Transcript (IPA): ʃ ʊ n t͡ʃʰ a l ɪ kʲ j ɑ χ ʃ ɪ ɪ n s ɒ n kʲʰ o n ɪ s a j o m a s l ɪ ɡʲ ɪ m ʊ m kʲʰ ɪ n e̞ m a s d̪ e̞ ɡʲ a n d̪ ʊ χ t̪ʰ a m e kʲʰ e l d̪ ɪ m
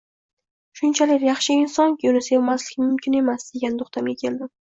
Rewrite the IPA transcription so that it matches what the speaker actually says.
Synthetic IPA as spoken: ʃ ʊ n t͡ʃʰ a l ɪ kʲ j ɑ χ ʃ ɪ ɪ n s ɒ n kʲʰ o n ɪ s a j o m a s l ɪ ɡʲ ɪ m ʊ m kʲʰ ɪ n e̞ m a s d̪ e̞ ɡʲ a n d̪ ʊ χ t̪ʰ a m e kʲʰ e l d̪ ɪ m